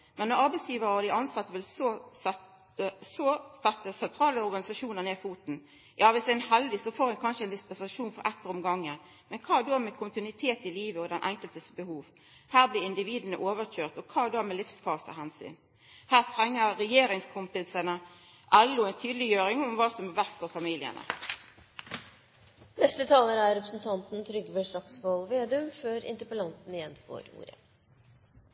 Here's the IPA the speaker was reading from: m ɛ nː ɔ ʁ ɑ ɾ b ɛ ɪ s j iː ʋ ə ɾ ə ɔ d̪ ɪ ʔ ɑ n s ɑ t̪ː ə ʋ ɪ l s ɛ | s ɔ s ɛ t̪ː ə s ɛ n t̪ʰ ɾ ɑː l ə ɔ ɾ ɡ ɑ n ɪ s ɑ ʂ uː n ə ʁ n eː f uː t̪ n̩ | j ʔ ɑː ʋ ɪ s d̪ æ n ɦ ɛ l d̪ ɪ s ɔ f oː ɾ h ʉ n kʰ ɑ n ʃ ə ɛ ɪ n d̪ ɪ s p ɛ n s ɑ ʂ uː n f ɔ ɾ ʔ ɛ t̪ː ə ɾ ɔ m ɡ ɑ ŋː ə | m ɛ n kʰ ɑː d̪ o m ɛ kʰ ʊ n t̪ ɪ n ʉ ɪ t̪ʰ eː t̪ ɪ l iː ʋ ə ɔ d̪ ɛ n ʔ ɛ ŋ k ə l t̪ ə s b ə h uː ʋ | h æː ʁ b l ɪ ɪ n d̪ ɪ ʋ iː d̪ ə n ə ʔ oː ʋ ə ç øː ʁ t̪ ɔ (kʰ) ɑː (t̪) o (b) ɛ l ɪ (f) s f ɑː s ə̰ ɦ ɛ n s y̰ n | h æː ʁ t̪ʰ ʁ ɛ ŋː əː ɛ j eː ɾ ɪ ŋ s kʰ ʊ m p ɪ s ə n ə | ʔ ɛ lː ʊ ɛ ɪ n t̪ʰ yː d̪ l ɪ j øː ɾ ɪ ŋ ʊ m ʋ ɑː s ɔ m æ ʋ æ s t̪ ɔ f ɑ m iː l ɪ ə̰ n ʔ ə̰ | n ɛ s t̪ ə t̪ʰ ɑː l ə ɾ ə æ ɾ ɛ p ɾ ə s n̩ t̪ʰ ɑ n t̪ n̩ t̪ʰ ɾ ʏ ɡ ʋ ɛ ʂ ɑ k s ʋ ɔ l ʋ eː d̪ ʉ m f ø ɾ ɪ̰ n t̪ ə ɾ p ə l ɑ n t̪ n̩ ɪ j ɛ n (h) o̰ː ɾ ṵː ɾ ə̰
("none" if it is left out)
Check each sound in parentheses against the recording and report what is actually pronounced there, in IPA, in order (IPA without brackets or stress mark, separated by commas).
kʰ, d̪, m, f, f